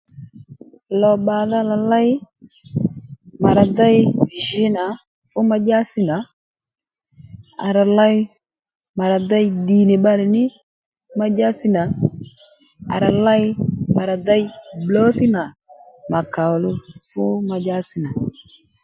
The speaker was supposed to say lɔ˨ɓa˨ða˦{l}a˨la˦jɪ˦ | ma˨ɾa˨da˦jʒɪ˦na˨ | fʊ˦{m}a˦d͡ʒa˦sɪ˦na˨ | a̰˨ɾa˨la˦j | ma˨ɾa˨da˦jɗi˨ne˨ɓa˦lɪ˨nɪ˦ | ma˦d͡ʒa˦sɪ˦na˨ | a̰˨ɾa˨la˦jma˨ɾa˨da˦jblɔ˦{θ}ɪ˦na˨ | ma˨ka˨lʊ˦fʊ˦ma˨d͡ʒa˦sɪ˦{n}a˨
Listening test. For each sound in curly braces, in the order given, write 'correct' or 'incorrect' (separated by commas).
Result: correct, correct, correct, correct